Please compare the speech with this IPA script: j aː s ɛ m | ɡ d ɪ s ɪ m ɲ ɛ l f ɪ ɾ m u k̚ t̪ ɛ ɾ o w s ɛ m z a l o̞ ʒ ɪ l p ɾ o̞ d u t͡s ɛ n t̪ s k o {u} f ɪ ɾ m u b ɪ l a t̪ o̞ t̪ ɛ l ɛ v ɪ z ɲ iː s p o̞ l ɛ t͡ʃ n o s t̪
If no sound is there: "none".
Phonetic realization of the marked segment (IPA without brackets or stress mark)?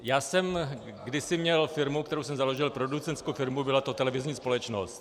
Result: w